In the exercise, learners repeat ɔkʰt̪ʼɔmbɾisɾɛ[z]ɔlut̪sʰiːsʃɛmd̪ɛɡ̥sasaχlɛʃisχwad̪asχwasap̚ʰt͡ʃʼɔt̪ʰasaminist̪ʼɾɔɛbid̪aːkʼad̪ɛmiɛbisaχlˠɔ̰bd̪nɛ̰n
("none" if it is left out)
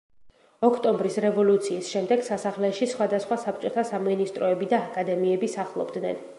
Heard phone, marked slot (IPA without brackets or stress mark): v